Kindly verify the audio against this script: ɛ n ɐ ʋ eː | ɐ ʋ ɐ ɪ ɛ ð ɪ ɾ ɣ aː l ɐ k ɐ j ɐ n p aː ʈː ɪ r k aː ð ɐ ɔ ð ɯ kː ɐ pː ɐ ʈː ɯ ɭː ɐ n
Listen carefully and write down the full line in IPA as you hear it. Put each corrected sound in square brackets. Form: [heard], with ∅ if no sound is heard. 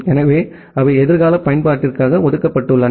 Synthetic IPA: ɛ n ɐ ʋ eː | ɐ ʋ ɐ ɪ ɛ ð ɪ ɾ ɣ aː l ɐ [p] ɐ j ɐ n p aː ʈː ɪ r k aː [ɣ] ɐ ɔ ð ɯ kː ɐ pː ɐ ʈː ɯ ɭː ɐ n

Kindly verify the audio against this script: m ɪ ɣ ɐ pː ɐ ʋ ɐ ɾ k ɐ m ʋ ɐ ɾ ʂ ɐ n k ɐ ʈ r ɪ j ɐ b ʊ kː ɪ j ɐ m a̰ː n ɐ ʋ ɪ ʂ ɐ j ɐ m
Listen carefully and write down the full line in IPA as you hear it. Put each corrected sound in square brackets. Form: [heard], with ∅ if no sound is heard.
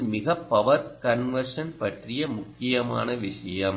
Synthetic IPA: m ɪ ɣ ɐ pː ɐ ʋ ɐ ɾ k ɐ [n] ʋ ɐ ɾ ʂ ɐ n [p] ɐ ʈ r ɪ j ɐ [m] ʊ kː ɪ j ɐ m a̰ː n ɐ ʋ ɪ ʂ ɐ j ɐ m

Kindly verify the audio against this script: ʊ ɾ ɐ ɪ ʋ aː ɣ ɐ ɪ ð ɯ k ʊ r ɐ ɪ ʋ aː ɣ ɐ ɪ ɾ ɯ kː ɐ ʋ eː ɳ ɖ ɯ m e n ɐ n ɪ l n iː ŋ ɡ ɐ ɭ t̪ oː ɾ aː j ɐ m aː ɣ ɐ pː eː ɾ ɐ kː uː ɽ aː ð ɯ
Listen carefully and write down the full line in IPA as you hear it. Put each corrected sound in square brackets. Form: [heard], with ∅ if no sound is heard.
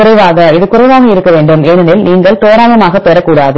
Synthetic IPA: ʊ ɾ ɐ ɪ ʋ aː ɣ ɐ ɪ ð ɯ k ʊ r ɐ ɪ ʋ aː ɣ ɐ ɪ ɾ ɯ kː ɐ ʋ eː ɳ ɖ ɯ m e n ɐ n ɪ l n iː ŋ ɡ ɐ ɭ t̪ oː ɾ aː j ɐ m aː ɣ ɐ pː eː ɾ ɐ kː uː ɽ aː ð ɯ

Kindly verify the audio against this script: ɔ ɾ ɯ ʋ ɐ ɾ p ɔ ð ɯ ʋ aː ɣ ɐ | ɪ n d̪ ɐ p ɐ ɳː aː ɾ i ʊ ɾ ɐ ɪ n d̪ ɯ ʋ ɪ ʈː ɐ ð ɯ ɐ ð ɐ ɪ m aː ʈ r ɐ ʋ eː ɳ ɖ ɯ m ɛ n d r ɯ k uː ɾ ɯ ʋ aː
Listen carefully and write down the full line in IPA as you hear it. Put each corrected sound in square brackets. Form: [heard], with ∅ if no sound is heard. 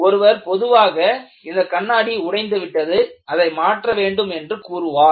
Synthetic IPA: ɔ ɾ ɯ ʋ ɐ ɾ p ɔ ð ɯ ʋ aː ɣ ɐ | ɪ n d̪ ɐ [k] ɐ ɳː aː [ɽ] i ʊ [ɽ] ɐ ɪ n d̪ ɯ ʋ ɪ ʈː ɐ ð ɯ ɐ ð ɐ ɪ m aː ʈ r ɐ ʋ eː ɳ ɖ ɯ m ɛ n d r ɯ k uː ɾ ɯ ʋ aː

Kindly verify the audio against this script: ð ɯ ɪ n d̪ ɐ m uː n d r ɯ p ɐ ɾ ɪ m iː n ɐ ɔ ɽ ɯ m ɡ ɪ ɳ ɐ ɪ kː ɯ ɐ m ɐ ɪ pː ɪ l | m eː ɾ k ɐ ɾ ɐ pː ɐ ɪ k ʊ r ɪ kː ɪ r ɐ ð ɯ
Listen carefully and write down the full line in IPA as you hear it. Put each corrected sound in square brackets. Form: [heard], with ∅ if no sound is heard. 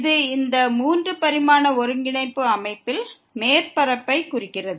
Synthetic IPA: ð ɯ ɪ n d̪ ɐ m uː n d r ɯ p ɐ ɾ ɪ m [aː] n ɐ ɔ [ɾ] ɯ [ŋ] ɡ ɪ ɳ ɐ ɪ [pː] ɯ ɐ m ɐ ɪ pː ɪ l | m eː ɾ [p] ɐ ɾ ɐ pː ɐ ɪ k ʊ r ɪ kː ɪ r ɐ ð ɯ

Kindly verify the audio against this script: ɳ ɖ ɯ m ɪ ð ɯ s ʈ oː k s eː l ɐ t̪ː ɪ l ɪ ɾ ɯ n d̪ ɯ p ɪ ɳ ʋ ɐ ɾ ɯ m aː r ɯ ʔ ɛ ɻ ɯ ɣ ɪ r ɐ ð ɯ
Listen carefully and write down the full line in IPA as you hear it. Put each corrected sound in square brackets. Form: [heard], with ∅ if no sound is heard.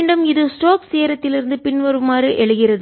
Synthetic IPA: ɳ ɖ ɯ m ɪ ð ɯ s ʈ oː k s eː [ɾ] ɐ t̪ː ɪ l ɪ ɾ ɯ n d̪ ɯ p ɪ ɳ ʋ ɐ ɾ ɯ m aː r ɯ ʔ ɛ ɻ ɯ ɣ ɪ r ɐ ð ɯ

